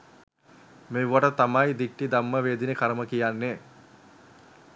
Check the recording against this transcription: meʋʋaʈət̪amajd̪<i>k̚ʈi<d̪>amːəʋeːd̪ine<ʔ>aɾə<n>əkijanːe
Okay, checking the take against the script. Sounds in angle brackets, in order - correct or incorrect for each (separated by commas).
correct, correct, incorrect, incorrect